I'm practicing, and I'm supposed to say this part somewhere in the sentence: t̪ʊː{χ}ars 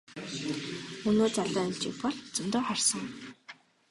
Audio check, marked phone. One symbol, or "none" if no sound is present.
χ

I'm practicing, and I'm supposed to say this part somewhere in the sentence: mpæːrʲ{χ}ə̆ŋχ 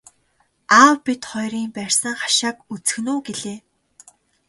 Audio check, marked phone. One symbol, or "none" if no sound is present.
s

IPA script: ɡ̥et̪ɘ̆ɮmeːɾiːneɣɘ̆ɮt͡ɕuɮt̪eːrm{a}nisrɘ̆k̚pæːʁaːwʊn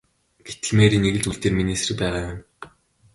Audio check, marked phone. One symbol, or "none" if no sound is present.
i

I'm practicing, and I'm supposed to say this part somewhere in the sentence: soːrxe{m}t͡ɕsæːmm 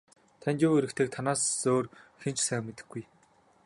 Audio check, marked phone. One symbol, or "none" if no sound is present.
n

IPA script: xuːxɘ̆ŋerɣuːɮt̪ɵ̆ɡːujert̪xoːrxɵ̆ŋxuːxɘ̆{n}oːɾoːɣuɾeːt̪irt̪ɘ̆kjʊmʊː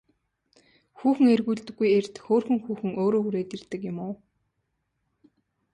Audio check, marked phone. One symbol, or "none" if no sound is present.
ŋ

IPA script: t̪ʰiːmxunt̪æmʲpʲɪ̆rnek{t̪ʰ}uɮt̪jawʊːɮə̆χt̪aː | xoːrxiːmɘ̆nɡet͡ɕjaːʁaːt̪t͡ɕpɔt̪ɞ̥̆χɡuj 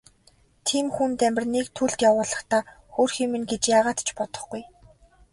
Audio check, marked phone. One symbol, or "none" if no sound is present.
t̪ʰ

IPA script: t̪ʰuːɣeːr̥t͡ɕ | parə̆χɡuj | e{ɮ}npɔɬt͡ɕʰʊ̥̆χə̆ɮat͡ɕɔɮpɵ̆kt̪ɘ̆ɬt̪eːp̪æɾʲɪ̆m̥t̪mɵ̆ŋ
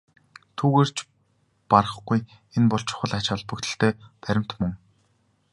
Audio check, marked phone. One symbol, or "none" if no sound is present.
none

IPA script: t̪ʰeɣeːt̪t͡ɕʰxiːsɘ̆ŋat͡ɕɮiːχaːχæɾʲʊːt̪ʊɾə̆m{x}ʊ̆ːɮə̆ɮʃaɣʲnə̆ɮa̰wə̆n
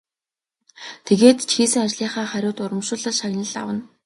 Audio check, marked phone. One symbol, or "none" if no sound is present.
ʃ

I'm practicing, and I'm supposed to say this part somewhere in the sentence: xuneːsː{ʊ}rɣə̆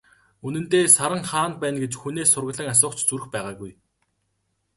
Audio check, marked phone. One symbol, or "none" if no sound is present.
ʊ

